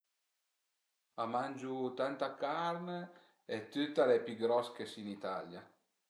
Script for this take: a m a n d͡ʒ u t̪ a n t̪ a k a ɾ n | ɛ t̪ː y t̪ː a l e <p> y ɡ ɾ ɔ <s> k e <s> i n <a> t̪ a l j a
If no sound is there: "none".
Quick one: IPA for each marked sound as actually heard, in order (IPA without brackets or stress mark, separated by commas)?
p, s, s, i